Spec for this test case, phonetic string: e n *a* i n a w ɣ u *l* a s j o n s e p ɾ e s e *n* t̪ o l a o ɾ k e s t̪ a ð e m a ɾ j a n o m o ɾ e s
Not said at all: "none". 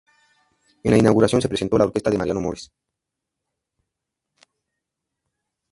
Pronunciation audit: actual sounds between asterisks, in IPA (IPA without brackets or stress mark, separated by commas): a, ɾ, n